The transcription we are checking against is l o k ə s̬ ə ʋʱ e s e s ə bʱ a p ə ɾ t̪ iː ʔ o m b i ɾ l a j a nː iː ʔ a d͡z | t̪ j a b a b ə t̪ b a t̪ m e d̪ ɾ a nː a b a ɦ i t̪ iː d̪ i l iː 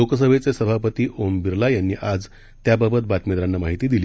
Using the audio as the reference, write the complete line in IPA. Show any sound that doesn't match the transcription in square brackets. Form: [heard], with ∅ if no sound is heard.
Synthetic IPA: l o k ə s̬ ə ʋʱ e [t͡s] e s ə bʱ a p ə [∅] t̪ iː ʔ o m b i ɾ l a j a nː iː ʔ a d͡z | t̪ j a b a b ə t̪ b a t̪ m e d̪ ɾ a nː a [m] a ɦ i t̪ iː d̪ i l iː